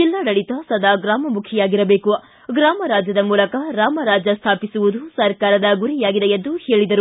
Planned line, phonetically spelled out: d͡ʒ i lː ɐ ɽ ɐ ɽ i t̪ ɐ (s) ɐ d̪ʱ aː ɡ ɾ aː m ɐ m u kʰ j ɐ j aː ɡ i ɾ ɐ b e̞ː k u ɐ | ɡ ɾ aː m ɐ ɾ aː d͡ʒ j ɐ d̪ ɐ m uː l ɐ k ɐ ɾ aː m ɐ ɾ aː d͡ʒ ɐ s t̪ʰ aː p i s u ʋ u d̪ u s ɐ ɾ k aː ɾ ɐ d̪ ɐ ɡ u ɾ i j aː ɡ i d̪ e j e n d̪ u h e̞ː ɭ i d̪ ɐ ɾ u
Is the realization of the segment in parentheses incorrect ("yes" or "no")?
no